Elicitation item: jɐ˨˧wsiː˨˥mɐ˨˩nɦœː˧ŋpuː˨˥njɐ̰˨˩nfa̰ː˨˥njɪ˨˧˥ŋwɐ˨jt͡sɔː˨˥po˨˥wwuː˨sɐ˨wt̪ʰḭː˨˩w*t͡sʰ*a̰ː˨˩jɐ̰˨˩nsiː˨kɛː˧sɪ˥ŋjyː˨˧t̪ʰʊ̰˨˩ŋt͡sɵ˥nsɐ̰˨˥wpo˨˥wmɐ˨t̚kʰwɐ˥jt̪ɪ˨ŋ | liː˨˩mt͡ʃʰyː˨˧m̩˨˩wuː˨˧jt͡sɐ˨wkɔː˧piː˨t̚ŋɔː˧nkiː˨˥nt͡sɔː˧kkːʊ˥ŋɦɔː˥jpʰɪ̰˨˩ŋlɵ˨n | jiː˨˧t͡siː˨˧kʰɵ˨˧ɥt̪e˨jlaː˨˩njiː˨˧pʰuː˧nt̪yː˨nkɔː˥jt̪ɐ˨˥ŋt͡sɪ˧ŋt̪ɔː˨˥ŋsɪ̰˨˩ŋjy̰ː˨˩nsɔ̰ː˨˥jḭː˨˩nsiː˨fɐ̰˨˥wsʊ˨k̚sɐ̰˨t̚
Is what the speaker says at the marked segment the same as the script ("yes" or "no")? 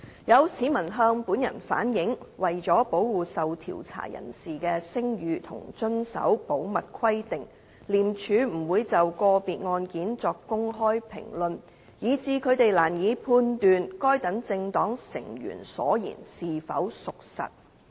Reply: yes